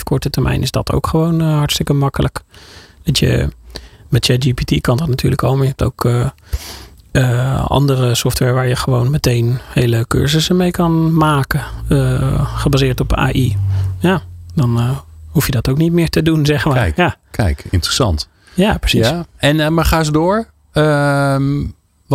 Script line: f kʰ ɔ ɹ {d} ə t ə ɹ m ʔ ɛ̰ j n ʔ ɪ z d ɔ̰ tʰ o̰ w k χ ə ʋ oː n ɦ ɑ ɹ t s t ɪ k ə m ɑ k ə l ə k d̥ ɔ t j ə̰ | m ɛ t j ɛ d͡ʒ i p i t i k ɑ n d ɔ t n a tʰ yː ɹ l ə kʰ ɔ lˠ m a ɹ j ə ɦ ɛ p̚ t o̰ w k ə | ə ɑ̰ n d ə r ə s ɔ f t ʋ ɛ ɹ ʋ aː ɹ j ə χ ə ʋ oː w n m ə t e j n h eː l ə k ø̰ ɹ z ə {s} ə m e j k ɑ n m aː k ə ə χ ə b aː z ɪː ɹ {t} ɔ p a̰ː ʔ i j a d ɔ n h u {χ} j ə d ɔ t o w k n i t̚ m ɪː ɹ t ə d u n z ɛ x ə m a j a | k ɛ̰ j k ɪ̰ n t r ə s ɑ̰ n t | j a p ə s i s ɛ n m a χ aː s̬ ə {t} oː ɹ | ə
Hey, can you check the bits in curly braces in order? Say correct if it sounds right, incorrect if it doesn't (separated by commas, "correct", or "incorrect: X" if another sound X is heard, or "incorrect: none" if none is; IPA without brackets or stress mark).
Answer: incorrect: t, correct, correct, incorrect: f, incorrect: d